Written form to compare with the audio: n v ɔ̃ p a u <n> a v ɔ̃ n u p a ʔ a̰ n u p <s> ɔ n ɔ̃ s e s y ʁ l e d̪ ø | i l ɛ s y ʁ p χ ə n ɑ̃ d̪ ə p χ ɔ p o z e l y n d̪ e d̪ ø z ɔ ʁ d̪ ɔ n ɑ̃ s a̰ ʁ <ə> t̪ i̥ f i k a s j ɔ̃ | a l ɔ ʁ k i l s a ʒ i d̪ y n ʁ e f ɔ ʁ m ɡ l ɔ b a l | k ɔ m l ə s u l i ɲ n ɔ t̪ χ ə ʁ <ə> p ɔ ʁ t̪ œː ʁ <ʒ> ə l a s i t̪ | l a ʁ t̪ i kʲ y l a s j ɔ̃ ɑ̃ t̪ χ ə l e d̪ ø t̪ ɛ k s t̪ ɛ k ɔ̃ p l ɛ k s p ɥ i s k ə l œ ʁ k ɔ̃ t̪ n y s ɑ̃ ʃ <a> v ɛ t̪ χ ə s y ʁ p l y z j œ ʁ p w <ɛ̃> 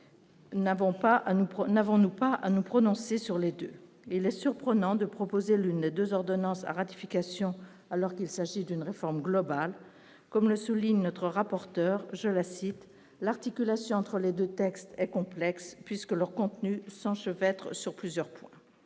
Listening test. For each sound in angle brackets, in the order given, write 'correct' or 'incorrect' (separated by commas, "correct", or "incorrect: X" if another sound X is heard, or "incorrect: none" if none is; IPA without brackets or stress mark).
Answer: correct, incorrect: χ, incorrect: a, incorrect: a, correct, incorrect: ə, correct